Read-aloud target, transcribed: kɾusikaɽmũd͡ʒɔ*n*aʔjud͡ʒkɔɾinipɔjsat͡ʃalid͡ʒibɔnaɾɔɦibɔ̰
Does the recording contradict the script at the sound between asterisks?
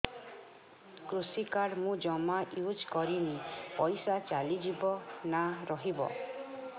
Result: yes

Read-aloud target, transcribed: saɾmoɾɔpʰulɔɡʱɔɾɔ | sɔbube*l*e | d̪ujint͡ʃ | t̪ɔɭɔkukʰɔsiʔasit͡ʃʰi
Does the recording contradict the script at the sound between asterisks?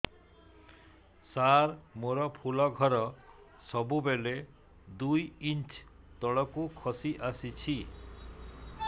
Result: no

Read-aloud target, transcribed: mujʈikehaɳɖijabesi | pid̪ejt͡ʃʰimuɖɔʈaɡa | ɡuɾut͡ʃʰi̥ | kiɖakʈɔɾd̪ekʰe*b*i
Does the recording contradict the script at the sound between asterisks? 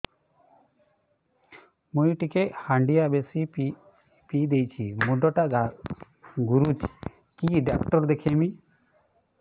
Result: yes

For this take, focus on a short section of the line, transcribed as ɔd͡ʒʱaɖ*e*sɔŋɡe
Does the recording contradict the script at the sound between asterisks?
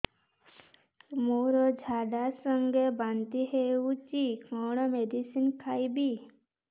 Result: yes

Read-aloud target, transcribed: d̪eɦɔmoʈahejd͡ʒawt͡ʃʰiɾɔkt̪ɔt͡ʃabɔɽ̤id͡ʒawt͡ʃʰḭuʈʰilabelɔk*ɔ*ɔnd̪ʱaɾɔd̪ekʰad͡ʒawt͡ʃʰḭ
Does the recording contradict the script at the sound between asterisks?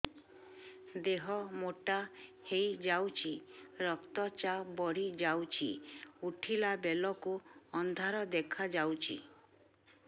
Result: yes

